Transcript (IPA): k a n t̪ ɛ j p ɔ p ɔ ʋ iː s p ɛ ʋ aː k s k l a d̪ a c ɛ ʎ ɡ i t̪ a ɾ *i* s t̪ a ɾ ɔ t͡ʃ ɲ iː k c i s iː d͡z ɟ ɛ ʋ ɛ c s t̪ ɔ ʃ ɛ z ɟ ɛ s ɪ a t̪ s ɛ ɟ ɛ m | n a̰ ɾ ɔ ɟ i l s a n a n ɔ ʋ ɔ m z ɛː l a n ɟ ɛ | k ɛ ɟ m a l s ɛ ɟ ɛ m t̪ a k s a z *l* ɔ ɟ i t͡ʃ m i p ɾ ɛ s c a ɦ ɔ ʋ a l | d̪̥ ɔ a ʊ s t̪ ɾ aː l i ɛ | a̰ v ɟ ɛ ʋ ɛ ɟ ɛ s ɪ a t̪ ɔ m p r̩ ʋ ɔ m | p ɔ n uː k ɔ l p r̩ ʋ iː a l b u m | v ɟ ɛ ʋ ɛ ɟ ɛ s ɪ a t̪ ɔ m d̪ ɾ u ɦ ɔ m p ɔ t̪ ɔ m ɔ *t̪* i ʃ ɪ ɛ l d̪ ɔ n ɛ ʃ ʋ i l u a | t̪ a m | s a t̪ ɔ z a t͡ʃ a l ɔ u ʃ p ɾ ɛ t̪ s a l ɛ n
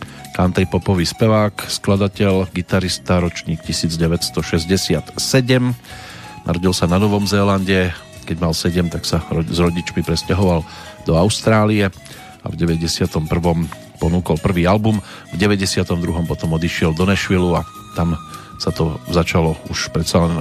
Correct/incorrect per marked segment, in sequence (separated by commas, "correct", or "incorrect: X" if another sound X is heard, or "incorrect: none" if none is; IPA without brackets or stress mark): correct, incorrect: ɾ, incorrect: d̪